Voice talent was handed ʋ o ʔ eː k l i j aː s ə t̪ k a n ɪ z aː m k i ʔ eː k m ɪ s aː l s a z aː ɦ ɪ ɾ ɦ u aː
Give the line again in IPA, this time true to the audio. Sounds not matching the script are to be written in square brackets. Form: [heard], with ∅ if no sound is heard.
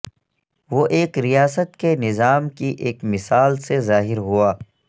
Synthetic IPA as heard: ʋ o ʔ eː k [ɾ] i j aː s ə t̪ k [e] n ɪ z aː m k i ʔ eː k m ɪ s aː l s [e] z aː ɦ ɪ ɾ ɦ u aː